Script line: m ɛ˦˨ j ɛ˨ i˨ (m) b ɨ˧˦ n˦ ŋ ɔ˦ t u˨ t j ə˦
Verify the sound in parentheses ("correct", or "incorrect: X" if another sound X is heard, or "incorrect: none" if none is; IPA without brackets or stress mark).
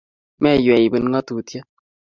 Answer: incorrect: none